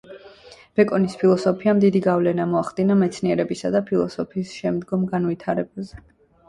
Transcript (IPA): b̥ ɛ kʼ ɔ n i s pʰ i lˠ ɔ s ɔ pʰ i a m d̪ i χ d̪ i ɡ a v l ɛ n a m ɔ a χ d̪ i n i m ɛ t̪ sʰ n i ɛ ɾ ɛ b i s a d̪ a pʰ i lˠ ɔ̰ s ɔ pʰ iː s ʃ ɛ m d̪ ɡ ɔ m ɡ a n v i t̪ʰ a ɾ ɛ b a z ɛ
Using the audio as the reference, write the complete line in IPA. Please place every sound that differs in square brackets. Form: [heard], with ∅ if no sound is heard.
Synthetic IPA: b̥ ɛ kʼ ɔ n i s pʰ i lˠ ɔ s ɔ pʰ i a m d̪ i [∅] d̪ i ɡ a v l ɛ n a m ɔ a χ d̪ i n [a] m ɛ t̪ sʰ n i ɛ ɾ ɛ b i s a d̪ a pʰ i lˠ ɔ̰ s ɔ pʰ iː s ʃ ɛ m d̪ ɡ ɔ m ɡ a n v i t̪ʰ a ɾ ɛ b a z ɛ